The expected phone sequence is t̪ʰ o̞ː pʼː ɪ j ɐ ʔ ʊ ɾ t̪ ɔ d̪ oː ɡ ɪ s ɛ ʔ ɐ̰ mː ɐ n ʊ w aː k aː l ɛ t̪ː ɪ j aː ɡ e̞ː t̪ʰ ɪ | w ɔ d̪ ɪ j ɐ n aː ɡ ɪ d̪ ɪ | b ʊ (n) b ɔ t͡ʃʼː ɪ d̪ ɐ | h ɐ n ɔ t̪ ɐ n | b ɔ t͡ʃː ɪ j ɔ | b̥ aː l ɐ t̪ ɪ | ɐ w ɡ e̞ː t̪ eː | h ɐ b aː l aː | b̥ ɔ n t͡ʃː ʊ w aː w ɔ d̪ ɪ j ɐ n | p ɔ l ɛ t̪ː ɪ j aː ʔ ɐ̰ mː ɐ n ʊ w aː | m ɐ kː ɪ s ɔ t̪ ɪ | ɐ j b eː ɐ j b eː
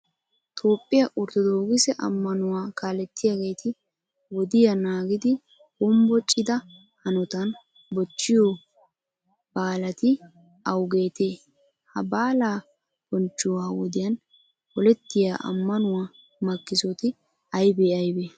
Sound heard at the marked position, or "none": m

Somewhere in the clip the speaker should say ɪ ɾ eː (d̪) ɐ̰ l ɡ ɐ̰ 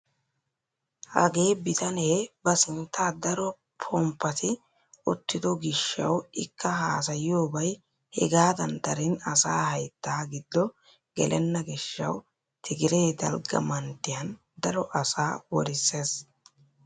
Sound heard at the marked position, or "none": d̪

